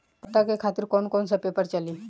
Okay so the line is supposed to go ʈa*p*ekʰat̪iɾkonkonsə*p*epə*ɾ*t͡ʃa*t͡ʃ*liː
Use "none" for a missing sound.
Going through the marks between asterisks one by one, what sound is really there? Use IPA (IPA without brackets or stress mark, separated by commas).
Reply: k, p, ɾ, none